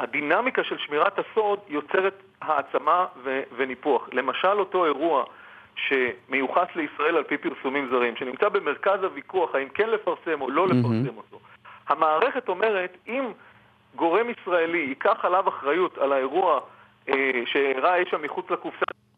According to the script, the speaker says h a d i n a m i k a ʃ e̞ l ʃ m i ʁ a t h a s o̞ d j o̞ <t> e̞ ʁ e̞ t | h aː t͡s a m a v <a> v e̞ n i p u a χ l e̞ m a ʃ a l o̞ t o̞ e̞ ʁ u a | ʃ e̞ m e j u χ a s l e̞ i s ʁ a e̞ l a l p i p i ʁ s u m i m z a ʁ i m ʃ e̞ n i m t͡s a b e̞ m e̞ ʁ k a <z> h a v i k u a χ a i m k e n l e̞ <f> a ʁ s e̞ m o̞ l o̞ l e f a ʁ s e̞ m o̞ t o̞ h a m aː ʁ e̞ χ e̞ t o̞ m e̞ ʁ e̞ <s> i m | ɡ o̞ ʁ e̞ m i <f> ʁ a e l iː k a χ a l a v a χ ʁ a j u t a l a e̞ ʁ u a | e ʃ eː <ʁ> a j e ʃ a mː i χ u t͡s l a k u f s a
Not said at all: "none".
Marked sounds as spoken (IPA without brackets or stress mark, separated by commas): t͡s, e, z, f, t, s, ʁ